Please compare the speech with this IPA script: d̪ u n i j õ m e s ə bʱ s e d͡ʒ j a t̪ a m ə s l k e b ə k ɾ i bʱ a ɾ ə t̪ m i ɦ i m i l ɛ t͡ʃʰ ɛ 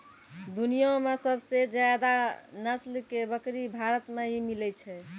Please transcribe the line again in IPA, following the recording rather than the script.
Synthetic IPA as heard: d̪ u n i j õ m e s ə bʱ s e d͡ʒ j a d̪ a n ə s l k e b ə k ɾ i bʱ a ɾ ə t̪ m e ɦ i m i l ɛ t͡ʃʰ ɛ